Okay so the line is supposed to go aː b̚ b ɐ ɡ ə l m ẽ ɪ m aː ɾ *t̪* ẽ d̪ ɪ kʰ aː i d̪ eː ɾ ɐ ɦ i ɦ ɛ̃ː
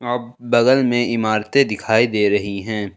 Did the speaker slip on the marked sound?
no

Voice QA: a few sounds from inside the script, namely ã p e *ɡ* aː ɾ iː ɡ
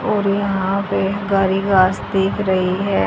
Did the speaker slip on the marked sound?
no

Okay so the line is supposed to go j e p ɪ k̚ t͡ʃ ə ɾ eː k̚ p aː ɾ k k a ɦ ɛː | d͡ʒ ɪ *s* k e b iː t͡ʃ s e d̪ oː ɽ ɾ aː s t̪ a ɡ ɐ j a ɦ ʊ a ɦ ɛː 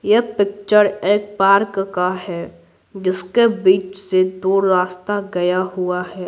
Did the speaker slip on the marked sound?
no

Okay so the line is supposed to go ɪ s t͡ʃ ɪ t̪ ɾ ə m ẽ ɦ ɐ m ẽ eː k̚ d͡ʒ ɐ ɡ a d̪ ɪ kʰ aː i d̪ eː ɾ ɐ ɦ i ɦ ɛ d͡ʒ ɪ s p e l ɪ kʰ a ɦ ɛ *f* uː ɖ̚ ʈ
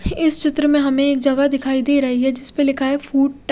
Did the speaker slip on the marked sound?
no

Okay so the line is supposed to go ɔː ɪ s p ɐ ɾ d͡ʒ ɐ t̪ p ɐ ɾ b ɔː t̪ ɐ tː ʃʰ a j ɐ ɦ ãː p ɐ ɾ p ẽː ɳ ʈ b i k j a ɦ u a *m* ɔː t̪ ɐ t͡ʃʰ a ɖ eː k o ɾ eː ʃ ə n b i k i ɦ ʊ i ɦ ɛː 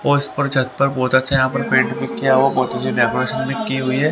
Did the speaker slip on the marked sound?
yes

